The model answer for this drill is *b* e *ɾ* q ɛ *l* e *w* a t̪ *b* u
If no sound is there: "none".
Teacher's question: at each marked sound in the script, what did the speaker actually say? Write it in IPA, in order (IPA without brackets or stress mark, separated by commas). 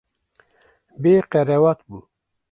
b, none, ɾ, w, b